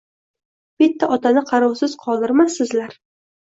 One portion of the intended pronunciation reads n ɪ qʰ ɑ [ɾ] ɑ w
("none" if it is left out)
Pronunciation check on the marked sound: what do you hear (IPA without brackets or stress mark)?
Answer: ɾ